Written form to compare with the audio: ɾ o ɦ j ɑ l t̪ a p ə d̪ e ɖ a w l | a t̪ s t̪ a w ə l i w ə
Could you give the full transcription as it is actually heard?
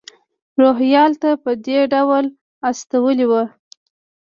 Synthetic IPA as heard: ɾ o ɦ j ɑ l t̪ a p ə d̪ e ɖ a w l | a s t̪ a w ə l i w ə

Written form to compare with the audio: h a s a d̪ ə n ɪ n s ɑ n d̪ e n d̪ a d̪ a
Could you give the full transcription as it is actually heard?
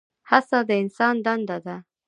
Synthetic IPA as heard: h a s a d̪ ə ɪ n s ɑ n d̪ a n d̪ a d̪ a

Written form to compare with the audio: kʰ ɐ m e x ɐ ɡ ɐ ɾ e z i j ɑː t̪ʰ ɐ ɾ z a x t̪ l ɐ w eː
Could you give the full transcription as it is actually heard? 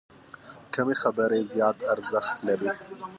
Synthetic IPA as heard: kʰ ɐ m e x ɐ b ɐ ɾ e z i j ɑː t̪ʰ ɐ ɾ z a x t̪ l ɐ b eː

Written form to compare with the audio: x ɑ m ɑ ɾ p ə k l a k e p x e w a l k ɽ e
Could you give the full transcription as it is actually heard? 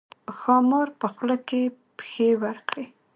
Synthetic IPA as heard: x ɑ m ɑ ɾ p ə x l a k e p x e w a ɾ k ɽ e

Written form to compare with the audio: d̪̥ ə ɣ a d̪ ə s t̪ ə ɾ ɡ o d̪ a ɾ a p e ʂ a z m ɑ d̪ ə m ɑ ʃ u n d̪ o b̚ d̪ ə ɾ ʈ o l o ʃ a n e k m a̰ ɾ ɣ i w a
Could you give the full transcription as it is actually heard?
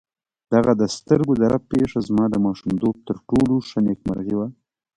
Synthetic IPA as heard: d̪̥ a ɣ a d̪ ə s t̪ ə ɾ ɡ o d̪ a ɾ a p e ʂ a z m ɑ d̪ ə m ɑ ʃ u m d̪ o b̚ t̪ ə ɾ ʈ o l o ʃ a n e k m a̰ ɾ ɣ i w a

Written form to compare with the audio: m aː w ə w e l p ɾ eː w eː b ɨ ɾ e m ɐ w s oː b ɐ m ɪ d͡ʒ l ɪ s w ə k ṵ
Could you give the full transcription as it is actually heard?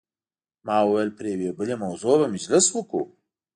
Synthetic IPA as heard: m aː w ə w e l p ɾ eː w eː b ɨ l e m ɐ w z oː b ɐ m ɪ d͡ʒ l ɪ s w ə k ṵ

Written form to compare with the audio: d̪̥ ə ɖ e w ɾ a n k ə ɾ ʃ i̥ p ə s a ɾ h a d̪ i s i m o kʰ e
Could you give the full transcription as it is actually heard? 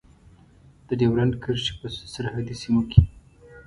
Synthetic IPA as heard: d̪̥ ə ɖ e w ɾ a n k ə ɾ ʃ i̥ p ə s a ɾ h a d̪ i s i m o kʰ e

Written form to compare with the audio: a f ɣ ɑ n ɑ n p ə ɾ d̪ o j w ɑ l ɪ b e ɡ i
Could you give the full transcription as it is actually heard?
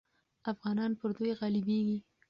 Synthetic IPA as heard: a f ɣ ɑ n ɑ n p ə ɾ d̪ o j ɣ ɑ l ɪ b e ɡ i

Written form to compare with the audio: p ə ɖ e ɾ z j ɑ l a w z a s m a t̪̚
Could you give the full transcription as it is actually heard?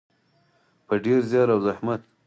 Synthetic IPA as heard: p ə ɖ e ɾ z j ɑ ɾ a w z a h m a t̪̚

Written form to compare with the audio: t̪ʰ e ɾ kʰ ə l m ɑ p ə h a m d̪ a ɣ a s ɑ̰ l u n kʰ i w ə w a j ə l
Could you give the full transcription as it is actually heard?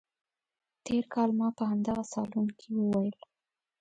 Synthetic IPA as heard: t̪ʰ e ɾ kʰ ɑ l m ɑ p ə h a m d̪ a ɣ a s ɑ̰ l u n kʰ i w ə w a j ə l

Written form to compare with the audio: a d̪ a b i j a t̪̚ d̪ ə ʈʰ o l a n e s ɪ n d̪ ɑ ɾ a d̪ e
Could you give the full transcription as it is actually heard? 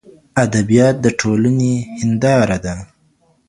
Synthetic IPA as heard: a d̪ a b i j ɑ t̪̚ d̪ ə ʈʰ o l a n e h ɪ n d̪ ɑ ɾ a d̪ a

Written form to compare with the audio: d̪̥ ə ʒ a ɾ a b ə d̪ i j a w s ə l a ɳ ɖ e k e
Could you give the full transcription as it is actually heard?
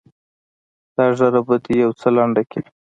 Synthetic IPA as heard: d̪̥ ɑ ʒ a ɾ a b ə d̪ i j a w t͡s ə l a ɳ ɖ a k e

